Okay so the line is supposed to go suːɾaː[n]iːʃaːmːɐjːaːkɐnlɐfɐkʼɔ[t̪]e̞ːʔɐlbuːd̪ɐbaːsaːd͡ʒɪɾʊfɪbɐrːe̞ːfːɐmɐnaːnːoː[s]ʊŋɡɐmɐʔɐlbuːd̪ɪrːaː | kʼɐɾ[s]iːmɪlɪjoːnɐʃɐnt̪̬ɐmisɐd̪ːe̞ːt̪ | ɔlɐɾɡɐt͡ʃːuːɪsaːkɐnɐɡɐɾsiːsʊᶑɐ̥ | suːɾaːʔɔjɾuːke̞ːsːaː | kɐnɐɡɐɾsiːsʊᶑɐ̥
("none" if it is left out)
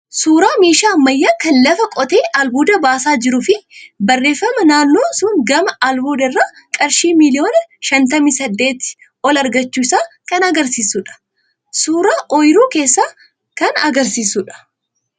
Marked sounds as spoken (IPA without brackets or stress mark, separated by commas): m, t̪, s, ʃ